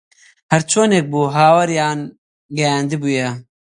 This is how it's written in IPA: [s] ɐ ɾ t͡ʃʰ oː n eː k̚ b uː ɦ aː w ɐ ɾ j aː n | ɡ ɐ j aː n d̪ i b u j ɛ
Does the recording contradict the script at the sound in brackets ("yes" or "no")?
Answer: yes